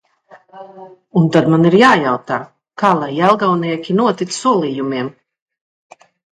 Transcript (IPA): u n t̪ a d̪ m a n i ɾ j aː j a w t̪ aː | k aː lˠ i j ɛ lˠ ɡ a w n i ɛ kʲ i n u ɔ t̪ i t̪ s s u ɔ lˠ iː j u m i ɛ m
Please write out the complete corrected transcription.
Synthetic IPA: u n t̪ a d̪ m a n i ɾ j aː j a w t̪ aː | k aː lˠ a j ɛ lˠ ɡ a w n i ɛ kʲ i n u ɔ t̪ i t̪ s s u ɔ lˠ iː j u m i ɛ m